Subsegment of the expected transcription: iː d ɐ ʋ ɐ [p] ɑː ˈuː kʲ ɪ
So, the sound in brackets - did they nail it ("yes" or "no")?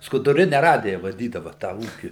no